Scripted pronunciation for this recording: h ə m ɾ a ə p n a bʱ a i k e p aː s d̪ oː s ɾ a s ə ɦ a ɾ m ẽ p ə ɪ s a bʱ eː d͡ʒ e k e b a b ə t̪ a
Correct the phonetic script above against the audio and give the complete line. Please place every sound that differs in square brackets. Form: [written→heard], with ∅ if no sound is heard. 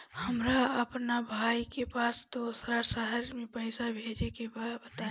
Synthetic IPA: h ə m ɾ a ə p n a bʱ a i k e p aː s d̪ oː s ɾ a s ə ɦ [a→ə] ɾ m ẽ p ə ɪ s a bʱ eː d͡ʒ e k e b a b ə t̪ a